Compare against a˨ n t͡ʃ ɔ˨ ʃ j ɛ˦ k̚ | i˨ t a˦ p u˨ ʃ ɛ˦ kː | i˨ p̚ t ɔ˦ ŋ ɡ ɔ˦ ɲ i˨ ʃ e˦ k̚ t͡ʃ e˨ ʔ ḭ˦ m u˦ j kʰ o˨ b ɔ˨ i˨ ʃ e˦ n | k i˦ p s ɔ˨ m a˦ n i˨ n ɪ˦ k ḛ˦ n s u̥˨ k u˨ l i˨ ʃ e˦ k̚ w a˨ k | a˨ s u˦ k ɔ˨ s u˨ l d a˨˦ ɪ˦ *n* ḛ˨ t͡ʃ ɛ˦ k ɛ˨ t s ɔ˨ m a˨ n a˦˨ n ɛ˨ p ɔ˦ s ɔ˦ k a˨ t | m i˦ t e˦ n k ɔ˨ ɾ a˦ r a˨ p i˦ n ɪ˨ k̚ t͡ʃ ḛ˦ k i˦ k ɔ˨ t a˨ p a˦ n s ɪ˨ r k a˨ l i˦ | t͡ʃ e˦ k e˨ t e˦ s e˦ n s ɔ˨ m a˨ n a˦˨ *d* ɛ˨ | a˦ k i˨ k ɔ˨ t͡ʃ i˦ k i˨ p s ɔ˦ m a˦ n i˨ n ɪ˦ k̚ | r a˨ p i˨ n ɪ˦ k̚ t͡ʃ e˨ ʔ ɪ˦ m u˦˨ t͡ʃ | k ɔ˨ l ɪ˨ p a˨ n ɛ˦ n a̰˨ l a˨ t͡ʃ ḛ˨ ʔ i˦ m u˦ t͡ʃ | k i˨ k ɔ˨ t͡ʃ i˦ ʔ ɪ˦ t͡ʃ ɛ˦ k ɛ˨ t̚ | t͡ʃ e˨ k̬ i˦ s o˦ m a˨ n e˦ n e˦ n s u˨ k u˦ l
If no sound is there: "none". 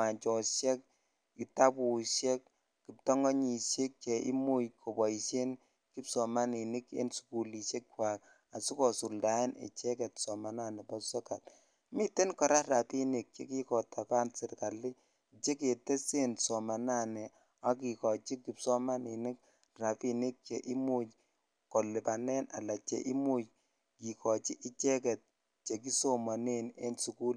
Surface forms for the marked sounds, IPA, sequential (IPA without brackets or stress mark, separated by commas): n, n